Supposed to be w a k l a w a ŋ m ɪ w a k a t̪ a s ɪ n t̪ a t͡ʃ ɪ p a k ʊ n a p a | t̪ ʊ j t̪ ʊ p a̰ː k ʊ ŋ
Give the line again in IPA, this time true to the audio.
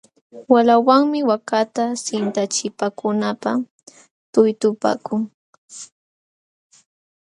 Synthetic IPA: w a l a w a ŋ m ɪ w a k a t̪ a s ɪ n t̪ a t͡ʃ ɪ p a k ʊ n a p a | t̪ ʊ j t̪ ʊ p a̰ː k ʊ ŋ